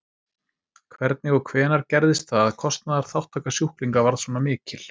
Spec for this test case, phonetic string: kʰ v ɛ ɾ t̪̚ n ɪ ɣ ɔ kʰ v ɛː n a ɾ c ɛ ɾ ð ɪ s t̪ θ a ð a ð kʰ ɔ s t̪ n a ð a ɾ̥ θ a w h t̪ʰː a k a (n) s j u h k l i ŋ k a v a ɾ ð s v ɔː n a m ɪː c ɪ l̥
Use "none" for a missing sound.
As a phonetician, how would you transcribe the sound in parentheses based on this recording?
none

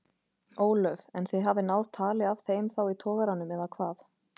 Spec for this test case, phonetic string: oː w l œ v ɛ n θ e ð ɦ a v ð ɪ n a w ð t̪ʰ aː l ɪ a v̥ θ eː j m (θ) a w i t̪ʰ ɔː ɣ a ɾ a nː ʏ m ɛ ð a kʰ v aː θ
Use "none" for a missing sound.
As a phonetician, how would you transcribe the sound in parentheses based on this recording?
θ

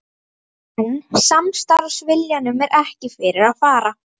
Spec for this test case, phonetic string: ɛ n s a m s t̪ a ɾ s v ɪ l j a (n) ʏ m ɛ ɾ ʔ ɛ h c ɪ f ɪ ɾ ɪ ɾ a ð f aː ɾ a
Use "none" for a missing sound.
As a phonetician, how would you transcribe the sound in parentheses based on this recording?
n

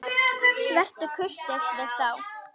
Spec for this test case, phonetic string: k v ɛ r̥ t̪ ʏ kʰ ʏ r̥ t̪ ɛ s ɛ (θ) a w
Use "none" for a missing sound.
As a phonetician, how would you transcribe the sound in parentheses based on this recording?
θ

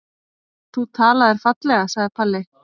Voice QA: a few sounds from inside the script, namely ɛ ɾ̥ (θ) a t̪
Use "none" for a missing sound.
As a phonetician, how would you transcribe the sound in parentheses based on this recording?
f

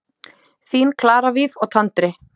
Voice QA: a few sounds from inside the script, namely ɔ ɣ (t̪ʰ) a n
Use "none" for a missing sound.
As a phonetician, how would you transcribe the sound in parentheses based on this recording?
t̪ʰ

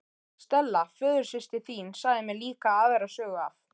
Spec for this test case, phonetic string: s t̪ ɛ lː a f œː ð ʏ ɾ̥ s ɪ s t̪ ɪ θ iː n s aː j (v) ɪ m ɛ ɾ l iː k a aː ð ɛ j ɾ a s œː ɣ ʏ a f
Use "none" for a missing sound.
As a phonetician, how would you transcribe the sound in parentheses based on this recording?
ð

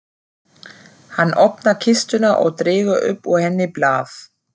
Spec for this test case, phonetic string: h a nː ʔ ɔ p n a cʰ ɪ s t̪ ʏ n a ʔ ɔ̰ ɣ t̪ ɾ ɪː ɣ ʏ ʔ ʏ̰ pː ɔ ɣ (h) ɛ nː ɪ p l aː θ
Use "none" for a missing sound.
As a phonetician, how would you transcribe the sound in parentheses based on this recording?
h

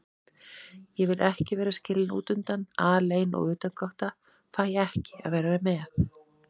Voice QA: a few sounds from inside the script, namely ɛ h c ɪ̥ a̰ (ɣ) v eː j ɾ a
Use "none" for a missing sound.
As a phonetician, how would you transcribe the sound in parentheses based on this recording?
ð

